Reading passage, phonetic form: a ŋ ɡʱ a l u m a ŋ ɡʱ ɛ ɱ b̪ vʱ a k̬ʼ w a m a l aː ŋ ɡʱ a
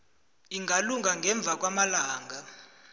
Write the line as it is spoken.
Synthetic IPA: i ŋ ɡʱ a l u ŋ a ŋ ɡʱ ɛ ɱ b̪ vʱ a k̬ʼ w a m a l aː ŋ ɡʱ a